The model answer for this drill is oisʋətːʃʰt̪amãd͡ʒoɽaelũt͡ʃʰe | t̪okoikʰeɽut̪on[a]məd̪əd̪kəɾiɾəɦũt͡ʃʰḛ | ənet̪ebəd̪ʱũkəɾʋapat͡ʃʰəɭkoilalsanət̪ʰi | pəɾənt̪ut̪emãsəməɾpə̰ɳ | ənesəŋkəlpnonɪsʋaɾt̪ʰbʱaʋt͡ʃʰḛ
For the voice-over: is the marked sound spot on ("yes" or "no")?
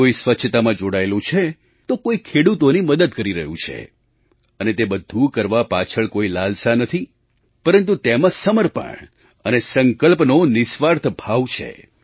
no